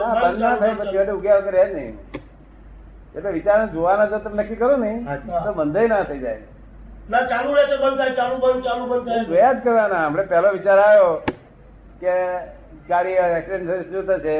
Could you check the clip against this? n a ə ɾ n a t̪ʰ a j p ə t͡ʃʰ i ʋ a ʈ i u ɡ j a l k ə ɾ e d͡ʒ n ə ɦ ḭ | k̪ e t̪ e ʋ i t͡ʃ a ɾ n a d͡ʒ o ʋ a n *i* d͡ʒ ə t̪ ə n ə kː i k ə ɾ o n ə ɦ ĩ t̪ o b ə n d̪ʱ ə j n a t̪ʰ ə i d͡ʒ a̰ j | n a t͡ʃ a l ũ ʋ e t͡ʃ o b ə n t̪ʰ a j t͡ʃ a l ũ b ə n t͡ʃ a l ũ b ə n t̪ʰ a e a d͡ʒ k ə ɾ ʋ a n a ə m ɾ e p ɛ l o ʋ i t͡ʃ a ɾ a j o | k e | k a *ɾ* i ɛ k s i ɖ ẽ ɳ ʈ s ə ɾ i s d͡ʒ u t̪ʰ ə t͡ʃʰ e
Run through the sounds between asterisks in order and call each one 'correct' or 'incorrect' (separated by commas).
incorrect, correct